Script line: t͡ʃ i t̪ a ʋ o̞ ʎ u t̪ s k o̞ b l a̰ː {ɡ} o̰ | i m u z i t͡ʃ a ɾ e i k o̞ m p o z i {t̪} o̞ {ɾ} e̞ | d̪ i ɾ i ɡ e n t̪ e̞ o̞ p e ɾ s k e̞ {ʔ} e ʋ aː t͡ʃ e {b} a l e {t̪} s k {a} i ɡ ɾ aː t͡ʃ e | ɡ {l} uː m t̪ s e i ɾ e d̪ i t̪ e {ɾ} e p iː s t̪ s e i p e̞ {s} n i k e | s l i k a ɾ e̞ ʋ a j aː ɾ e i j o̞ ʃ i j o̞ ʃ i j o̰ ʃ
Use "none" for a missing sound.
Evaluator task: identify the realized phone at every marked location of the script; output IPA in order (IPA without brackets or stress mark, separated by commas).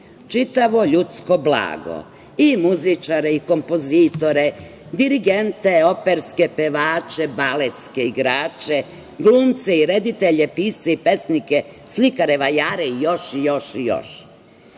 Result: ɡ, t̪, ɾ, p, b, t̪, e, l, ʎ, s